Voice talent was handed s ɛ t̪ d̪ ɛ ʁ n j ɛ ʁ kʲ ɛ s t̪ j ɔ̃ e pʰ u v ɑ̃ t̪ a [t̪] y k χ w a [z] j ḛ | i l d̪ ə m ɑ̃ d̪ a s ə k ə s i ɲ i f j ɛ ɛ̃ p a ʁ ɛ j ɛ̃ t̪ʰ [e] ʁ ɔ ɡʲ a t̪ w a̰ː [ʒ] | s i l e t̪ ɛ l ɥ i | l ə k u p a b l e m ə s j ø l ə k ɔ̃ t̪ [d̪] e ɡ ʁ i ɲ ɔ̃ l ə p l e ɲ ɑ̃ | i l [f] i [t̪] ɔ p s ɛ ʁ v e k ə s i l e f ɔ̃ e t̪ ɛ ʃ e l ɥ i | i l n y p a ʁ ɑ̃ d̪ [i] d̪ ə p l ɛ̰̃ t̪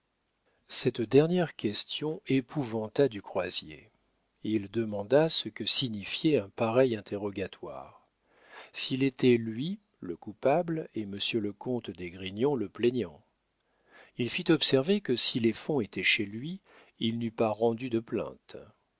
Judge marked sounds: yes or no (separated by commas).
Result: no, yes, yes, no, yes, yes, yes, no